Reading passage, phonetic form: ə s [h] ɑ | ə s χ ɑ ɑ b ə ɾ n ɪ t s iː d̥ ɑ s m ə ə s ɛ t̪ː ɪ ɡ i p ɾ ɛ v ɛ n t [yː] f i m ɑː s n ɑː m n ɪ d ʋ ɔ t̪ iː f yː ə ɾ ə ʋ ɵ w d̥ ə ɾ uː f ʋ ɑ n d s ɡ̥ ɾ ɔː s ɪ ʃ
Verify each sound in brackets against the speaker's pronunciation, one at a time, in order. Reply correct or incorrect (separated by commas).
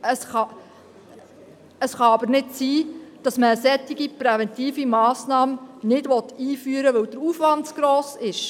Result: incorrect, incorrect